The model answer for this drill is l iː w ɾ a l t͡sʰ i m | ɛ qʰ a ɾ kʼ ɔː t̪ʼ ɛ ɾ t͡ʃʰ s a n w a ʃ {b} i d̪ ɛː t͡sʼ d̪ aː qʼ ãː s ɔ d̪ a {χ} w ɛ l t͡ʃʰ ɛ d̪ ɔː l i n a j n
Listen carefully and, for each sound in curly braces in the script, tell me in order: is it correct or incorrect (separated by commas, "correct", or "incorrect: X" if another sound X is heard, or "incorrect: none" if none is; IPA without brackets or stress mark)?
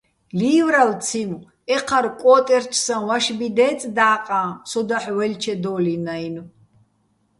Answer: correct, incorrect: ħ